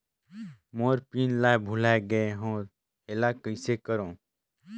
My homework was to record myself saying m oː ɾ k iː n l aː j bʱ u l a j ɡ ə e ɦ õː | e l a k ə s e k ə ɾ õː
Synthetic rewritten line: m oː ɾ p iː n l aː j bʱ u l a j ɡ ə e ɦ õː | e l a k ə s e k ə ɾ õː